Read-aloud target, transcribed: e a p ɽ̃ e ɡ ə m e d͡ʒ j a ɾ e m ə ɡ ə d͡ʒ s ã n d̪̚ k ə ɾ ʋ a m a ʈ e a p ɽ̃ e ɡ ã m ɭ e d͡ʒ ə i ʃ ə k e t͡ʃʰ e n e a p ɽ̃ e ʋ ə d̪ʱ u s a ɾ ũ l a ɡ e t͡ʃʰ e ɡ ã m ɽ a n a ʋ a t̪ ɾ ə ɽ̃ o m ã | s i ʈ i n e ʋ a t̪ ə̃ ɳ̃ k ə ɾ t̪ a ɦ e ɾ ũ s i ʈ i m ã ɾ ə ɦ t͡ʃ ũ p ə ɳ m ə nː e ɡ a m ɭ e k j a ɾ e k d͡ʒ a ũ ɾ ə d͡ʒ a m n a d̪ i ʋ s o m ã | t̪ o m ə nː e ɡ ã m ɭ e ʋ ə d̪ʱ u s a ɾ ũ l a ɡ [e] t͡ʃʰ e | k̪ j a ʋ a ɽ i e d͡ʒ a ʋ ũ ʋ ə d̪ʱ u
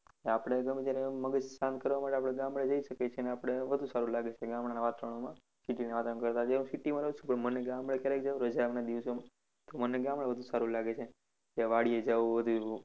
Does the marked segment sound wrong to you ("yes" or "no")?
no